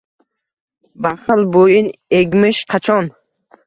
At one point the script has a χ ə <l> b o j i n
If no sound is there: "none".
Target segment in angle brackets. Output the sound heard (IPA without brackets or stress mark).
l